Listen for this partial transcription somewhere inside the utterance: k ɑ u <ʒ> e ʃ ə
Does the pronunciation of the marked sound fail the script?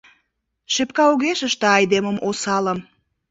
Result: yes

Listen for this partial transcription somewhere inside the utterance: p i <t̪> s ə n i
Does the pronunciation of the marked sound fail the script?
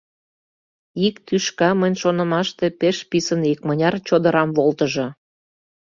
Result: yes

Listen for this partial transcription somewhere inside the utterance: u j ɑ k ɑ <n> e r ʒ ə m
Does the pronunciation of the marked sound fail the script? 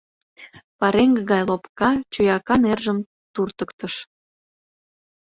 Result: no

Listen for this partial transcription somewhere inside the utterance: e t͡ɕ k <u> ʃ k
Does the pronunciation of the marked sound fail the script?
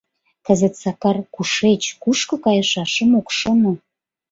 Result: no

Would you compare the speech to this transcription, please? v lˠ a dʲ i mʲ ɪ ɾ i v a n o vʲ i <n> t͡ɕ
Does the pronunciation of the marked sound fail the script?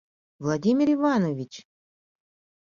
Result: yes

